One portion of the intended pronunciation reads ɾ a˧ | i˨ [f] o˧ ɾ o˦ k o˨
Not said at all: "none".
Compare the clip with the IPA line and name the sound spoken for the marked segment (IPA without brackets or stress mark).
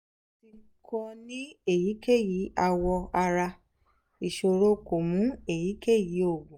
ʃ